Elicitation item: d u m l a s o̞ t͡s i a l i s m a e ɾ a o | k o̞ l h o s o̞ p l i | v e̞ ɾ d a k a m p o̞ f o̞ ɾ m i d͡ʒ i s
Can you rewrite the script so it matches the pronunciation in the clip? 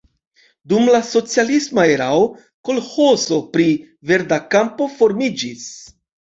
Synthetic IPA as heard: d u m l a s o̞ t͡s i a l i s m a e ɾ a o | k o̞ l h o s o̞ p ɾ i | v e̞ ɾ d a k a m p o̞ f o̞ ɾ m i d͡ʒ i s